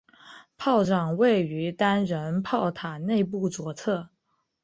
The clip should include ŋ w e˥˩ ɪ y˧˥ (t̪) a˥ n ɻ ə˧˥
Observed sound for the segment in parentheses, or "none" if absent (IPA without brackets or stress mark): t̪